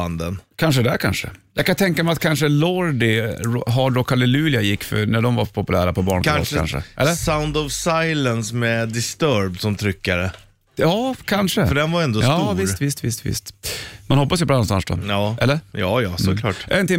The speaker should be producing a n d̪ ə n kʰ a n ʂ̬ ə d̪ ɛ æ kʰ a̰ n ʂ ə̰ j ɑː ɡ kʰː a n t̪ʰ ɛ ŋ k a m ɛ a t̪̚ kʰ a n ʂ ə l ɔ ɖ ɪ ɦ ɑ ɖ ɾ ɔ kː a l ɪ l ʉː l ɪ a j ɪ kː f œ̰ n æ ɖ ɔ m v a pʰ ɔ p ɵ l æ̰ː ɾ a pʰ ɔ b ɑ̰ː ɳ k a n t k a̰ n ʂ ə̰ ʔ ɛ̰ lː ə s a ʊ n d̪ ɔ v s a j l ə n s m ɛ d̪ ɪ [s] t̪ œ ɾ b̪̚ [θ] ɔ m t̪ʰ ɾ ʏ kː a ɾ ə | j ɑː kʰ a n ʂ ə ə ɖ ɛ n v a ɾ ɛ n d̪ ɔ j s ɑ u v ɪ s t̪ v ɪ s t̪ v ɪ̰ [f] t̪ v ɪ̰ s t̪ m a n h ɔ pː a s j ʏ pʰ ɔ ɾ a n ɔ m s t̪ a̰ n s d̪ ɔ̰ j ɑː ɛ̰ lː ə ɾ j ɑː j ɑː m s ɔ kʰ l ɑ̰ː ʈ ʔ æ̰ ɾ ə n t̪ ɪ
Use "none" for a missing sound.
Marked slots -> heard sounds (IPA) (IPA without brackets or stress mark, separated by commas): s, s, s